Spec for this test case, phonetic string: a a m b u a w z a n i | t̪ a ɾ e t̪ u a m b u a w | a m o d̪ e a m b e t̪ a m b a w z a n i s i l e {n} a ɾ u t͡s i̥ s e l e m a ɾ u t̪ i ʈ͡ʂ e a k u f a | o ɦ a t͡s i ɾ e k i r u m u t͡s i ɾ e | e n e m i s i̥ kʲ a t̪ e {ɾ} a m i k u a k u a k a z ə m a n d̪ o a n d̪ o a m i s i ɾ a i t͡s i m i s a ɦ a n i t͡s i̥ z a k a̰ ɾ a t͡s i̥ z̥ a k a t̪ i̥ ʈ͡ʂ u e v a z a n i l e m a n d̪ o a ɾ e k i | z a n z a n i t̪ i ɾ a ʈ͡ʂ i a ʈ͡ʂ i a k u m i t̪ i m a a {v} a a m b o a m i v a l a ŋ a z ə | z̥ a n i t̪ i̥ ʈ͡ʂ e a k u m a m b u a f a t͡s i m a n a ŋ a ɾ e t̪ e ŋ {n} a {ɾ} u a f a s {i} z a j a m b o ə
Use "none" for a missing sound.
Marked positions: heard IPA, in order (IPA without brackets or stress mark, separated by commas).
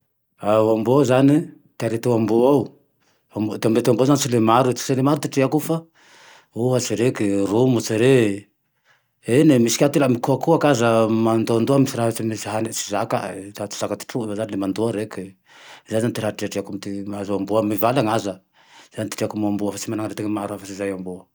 m, l, z, m, ɾ, i